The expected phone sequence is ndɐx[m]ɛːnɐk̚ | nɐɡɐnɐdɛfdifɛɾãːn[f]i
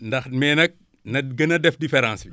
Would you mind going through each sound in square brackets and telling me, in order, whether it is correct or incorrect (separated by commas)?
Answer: correct, incorrect